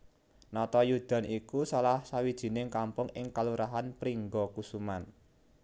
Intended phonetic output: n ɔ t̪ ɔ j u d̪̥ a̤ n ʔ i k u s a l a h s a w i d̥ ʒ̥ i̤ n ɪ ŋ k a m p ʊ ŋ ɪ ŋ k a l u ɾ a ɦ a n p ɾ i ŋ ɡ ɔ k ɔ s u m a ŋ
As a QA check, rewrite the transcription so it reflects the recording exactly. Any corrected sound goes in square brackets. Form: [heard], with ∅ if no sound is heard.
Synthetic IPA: n ɔ t̪ ɔ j u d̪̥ a̤ n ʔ i k u s a l a h s a w i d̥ ʒ̥ i̤ n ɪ ŋ k a m p ʊ ŋ ɪ ŋ k a l u ɾ a ɦ a n p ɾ i ŋ ɡ ɔ k [u] s u m a [n]